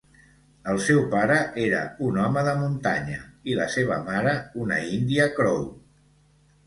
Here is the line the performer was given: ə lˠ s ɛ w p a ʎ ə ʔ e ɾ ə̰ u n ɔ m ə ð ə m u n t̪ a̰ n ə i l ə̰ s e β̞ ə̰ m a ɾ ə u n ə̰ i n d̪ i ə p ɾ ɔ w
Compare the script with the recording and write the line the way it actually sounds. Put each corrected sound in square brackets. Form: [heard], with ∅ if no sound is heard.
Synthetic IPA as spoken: ə lˠ s ɛ w p a [ɾ] ə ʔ e ɾ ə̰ u n ɔ m ə ð ə m u n t̪ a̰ [ɲ] ə i l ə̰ s e β̞ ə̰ m a ɾ ə u n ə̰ i n d̪ i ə [k] ɾ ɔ w